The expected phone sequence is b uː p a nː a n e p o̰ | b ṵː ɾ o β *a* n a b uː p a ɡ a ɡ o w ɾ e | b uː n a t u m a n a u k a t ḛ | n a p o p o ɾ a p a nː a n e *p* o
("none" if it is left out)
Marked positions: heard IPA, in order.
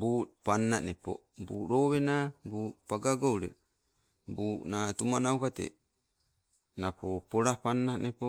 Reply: e, p

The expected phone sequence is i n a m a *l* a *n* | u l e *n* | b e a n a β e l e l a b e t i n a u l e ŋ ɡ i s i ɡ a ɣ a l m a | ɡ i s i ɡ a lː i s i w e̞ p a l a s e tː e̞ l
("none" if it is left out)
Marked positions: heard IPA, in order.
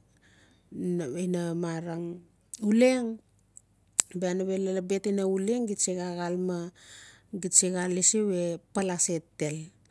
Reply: ɾ, ŋ, ŋ

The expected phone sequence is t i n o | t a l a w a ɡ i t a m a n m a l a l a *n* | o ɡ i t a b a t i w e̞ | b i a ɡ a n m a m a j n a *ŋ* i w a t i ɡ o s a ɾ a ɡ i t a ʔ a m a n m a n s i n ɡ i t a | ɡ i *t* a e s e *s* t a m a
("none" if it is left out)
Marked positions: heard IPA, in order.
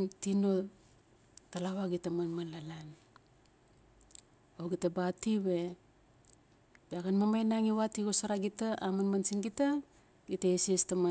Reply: n, ŋ, t, s

